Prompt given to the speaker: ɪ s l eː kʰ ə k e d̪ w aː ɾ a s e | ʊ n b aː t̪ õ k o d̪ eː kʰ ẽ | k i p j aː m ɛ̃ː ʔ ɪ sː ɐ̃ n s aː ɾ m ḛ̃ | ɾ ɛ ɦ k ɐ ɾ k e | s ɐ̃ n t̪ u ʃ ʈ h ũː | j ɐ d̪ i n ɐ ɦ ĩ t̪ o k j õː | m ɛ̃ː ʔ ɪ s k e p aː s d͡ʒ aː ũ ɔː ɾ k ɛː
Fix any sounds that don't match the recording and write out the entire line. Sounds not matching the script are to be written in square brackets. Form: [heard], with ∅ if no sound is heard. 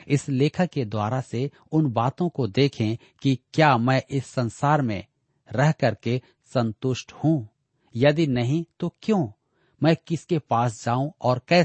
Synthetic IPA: ɪ s l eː kʰ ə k e d̪ w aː ɾ a s e | ʊ n b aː t̪ õ k o d̪ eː kʰ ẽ | k i [k] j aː m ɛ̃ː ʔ ɪ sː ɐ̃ n s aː ɾ m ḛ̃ | ɾ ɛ ɦ k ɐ ɾ k e | s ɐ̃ n t̪ [ʊ] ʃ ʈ h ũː | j ɐ d̪ i n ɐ ɦ ĩ t̪ o k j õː | m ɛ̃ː [k] ɪ s k e p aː s d͡ʒ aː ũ ɔː ɾ k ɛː